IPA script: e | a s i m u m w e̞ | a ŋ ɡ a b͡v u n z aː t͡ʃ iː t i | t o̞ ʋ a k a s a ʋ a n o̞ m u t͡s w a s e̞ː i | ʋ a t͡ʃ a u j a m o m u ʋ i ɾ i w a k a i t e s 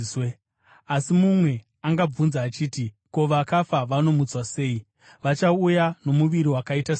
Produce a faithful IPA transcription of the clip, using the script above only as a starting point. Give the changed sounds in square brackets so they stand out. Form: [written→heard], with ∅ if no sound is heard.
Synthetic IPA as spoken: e | a s i m u m w e̞ | a ŋ ɡ a b͡v u n z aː t͡ʃ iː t i | [t→k] o̞ ʋ a k a [s→f] a ʋ a n o̞ m u t͡s w a s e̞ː i | ʋ a t͡ʃ a u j a [m→n] o m u ʋ i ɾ i w a k a i t [e→a] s